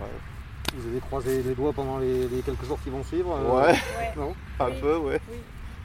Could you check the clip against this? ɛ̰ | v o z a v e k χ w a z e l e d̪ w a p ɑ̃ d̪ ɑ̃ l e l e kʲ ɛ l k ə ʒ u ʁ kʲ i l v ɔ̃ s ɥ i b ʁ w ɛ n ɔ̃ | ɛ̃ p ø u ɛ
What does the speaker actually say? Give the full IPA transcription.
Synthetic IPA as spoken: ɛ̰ | v u z a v e k χ w a z e l e d̪ w a p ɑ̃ d̪ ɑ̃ l e l e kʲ ɛ l k ə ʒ u ʁ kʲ i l v ɔ̃ s ɥ i v ʁ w ɛ n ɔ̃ | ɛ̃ p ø w ɛ